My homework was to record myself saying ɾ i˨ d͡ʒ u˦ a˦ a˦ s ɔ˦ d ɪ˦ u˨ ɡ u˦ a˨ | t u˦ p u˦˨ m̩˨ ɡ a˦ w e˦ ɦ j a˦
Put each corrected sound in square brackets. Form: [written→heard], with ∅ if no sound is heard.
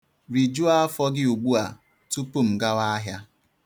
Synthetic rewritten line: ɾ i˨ d͡ʒ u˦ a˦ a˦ [s→f] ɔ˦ [d→ɡ] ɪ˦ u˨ [ɡ→ɡ͡b] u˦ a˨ | t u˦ p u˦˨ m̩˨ ɡ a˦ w [e˦→a˦] ɦ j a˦